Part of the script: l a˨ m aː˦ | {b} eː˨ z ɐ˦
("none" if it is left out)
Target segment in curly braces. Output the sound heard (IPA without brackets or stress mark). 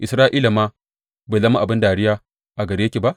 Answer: b